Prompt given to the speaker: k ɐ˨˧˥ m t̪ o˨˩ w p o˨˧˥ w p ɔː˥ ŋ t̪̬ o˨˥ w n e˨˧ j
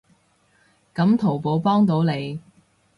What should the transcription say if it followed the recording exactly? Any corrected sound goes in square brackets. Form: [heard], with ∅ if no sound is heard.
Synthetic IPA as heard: k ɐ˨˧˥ m [t̪ʰ] o˨˩ w p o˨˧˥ w p ɔː˥ ŋ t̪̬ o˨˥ w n e˨˧ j